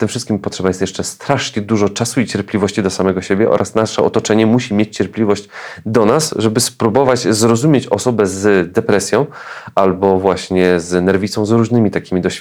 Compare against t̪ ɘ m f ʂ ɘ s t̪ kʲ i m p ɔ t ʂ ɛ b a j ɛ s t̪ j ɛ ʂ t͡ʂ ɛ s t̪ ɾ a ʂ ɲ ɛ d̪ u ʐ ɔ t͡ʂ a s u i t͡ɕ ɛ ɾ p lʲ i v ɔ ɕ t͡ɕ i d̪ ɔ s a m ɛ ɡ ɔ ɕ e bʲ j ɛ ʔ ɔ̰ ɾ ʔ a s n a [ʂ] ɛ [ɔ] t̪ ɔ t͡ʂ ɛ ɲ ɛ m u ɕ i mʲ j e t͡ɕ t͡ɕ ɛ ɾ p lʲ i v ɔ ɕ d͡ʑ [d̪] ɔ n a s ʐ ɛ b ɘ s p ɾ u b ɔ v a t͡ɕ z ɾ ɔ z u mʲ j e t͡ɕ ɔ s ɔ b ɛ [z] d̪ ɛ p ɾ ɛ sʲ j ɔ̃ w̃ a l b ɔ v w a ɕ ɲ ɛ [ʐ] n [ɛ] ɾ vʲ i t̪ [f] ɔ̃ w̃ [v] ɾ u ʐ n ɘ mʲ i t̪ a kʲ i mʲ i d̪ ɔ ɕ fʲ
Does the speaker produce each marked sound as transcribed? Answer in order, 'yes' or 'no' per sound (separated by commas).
yes, yes, yes, yes, no, yes, no, no